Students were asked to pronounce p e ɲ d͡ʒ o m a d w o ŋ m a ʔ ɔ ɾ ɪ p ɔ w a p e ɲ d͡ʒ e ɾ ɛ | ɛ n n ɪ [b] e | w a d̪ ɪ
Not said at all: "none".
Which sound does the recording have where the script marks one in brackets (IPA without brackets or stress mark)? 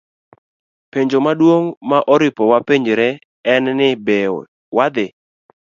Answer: b